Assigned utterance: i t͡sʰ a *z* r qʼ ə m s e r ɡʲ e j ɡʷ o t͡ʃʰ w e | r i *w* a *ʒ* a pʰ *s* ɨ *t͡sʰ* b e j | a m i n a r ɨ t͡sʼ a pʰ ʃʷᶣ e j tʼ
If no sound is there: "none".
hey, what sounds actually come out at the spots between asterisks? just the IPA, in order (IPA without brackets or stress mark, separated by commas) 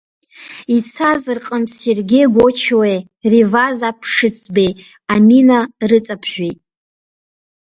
z, v, z, ʂ, t͡sʰ